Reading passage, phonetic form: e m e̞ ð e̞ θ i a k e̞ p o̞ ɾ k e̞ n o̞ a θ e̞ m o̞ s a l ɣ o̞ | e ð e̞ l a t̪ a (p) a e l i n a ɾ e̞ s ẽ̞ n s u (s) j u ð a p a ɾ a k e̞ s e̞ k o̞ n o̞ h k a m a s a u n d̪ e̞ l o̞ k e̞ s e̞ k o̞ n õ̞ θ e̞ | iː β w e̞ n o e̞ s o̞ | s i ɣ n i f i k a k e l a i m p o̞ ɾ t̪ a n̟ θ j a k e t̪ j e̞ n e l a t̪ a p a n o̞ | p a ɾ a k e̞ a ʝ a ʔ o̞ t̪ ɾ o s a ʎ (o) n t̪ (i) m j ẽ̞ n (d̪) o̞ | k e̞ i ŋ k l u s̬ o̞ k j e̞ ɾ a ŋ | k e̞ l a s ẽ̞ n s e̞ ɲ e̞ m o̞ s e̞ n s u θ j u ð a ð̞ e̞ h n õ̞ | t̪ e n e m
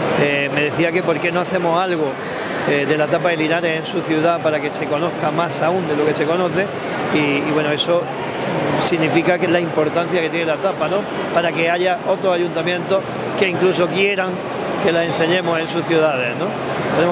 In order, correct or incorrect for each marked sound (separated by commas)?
correct, incorrect, incorrect, incorrect, incorrect